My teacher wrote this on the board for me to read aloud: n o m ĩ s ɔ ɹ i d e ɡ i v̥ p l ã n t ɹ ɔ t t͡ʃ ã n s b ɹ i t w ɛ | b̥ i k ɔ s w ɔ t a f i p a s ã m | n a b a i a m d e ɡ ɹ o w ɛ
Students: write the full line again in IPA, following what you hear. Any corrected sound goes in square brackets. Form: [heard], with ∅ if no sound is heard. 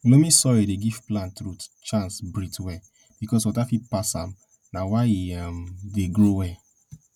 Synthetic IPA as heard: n o m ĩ s ɔ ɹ i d e ɡ i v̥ p l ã n t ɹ [u] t t͡ʃ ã n s b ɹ i t w ɛ | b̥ i k ɔ s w ɔ t a f i p a s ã m | n a [w] a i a m d e ɡ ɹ o w ɛ